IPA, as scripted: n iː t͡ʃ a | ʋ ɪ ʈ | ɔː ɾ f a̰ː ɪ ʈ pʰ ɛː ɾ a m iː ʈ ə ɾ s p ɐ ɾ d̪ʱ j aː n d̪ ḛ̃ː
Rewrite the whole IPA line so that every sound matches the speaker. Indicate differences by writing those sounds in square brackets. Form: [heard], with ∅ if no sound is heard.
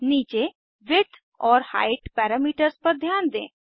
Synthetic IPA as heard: n iː t͡ʃ [e] | ʋ ɪ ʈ | ɔː ɾ [h] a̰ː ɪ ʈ [p] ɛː ɾ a m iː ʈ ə ɾ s p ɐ ɾ d̪ʱ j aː n d̪ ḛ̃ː

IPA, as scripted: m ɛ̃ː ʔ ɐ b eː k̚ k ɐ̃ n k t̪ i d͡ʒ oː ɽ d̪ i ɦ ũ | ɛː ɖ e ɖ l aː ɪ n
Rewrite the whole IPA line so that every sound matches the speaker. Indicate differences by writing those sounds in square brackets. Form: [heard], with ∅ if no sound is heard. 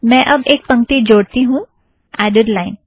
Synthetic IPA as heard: m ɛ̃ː ʔ ɐ b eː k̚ [p] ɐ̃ [ŋ] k t̪ i d͡ʒ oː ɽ [t̪] i ɦ ũ | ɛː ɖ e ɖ l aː ɪ n

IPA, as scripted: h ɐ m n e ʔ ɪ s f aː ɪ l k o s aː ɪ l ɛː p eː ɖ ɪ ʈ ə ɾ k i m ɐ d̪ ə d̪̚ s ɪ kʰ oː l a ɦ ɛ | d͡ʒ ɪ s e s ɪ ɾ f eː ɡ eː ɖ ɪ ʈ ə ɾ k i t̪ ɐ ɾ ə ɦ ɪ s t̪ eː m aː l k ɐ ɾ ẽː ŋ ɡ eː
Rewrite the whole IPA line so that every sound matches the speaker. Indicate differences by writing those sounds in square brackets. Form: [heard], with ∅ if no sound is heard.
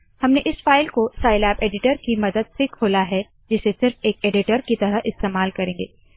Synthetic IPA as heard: h ɐ m n e ʔ ɪ s f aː ɪ l k o s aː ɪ l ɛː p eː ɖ ɪ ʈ ə ɾ k i m ɐ d̪ ə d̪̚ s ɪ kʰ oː l a ɦ ɛ | d͡ʒ ɪ s e s ɪ ɾ f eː [k] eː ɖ ɪ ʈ ə ɾ k i t̪ ɐ ɾ ə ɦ ɪ s t̪ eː m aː l k ɐ ɾ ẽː ŋ ɡ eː

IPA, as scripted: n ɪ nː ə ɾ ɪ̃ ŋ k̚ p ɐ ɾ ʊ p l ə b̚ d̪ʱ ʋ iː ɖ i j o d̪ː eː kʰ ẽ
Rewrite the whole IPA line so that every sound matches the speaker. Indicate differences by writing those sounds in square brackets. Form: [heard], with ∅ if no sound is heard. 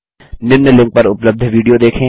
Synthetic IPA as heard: n ɪ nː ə [l] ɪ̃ ŋ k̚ p ɐ ɾ ʊ p l ə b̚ d̪ʱ ʋ iː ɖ i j o [d̪] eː kʰ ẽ

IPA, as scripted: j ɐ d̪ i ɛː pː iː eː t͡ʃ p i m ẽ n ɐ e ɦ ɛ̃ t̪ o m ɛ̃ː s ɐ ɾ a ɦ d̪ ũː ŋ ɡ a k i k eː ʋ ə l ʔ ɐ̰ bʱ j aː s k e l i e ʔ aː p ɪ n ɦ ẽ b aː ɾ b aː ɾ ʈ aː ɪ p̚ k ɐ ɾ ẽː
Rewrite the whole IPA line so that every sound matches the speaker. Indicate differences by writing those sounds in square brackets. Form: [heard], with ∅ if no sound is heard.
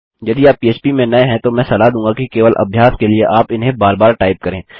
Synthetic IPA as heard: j ɐ d̪ i [aː] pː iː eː t͡ʃ p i m ẽ n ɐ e ɦ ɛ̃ t̪ o m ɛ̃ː s ɐ [l] a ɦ d̪ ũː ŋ ɡ a k i k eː ʋ ə l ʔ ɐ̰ bʱ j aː s k e l i e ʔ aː p ɪ n ɦ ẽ b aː ɾ b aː ɾ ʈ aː ɪ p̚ k ɐ ɾ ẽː

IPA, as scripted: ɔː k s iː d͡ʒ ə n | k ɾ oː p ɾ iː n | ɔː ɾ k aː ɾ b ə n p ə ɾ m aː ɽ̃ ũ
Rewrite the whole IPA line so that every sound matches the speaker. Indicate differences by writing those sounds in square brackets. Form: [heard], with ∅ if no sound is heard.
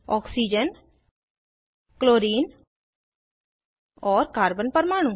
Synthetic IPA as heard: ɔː k s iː d͡ʒ ə n | k [l] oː [∅] ɾ iː n | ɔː ɾ k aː ɾ b ə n p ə ɾ m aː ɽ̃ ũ

